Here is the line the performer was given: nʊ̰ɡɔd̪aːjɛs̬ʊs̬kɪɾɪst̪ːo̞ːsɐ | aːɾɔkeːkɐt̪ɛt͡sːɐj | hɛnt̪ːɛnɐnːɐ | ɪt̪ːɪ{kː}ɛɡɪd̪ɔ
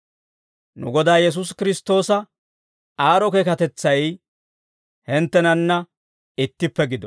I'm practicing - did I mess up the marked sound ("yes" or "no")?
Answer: yes